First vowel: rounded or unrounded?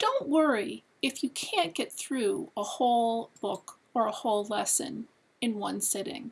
rounded